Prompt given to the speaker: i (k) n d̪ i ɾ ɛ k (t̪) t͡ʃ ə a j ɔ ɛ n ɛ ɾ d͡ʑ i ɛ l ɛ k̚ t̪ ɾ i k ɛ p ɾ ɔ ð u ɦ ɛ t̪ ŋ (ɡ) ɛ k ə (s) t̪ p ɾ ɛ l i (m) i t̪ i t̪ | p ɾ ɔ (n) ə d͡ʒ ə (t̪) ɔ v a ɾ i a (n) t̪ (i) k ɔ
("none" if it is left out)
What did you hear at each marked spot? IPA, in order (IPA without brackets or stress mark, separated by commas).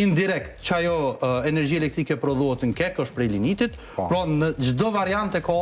none, t̪, k, ʃ, n, n, d̪, n, ɛ